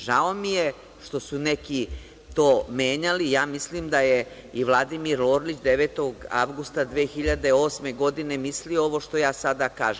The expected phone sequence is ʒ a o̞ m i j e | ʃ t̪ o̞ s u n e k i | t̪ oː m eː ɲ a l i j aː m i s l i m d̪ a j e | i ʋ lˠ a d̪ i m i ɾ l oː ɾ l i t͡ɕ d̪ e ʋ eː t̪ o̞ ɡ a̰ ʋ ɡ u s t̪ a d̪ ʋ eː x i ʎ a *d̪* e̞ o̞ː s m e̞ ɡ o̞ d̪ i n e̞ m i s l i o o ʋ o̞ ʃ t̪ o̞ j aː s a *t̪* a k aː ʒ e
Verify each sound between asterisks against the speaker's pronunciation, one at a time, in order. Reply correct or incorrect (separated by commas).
correct, incorrect